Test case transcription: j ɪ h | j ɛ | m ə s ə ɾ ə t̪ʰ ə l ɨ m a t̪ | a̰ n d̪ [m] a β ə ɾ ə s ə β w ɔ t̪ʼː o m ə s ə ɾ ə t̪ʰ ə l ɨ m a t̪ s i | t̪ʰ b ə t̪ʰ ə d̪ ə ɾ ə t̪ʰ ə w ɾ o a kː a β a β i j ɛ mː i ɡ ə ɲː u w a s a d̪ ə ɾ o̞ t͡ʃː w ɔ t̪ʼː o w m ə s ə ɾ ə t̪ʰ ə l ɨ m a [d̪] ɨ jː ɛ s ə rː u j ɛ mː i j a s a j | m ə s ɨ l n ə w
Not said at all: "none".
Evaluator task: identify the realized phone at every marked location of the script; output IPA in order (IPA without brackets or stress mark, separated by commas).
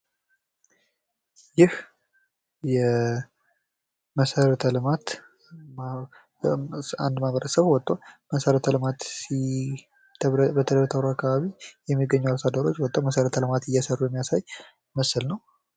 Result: m, t̪